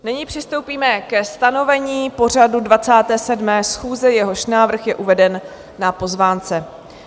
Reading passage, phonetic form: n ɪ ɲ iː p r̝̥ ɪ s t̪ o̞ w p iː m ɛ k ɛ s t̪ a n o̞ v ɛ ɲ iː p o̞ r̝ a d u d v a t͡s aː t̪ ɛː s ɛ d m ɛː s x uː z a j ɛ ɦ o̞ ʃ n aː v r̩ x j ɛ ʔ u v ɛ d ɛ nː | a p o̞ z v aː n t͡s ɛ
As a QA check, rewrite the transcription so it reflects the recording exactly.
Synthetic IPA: n ɪ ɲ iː p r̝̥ ɪ s t̪ o̞ w p iː m ɛ k ɛ s t̪ a n o̞ v ɛ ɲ iː p o̞ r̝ a d u d v a t͡s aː t̪ ɛː s ɛ d m ɛː s x uː z ɛ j ɛ ɦ o̞ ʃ n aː v r̩ x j ɛ ʔ u v ɛ d ɛ nː | a p o̞ z v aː n t͡s ɛ